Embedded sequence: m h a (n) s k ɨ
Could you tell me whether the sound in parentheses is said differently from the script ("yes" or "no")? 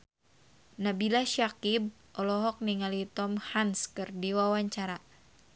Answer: no